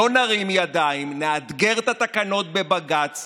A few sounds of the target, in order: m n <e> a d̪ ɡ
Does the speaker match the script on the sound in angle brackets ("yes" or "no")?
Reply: yes